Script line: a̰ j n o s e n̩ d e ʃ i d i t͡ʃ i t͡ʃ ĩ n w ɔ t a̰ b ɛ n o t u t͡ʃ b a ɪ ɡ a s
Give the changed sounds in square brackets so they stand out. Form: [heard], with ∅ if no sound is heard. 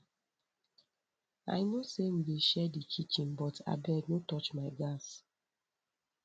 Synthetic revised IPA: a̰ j n o s e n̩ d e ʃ [ɛ] d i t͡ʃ i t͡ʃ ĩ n [b] ɔ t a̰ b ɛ n o t [ɔ] t͡ʃ [m] a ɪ ɡ a s